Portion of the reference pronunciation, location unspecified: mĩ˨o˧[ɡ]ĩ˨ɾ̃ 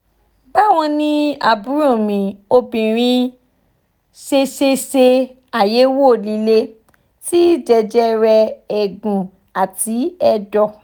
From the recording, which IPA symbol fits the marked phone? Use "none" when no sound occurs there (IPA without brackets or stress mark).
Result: b